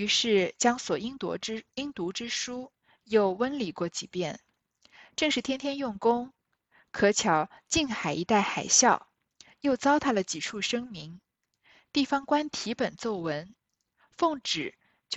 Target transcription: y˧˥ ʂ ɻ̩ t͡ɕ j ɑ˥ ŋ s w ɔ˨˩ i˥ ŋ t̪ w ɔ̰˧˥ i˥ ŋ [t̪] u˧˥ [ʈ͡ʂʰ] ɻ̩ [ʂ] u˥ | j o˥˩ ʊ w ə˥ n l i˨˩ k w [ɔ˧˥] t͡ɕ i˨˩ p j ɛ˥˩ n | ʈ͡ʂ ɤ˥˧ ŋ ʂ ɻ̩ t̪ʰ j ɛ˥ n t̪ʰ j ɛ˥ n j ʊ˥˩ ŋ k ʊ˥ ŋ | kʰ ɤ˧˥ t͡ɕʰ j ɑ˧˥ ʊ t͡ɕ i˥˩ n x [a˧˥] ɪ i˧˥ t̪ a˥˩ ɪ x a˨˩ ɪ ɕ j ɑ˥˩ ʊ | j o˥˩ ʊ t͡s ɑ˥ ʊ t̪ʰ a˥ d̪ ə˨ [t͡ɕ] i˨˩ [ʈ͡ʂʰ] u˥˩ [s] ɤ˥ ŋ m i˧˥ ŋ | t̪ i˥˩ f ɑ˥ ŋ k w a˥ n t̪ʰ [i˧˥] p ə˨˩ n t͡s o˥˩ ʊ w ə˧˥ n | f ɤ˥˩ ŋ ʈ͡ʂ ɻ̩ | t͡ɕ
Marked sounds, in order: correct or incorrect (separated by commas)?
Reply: correct, incorrect, correct, incorrect, incorrect, correct, correct, incorrect, correct